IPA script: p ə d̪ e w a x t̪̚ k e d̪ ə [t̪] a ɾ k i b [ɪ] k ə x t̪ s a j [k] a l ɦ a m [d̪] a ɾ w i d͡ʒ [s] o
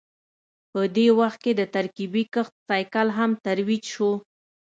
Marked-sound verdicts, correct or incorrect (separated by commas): correct, incorrect, correct, incorrect, incorrect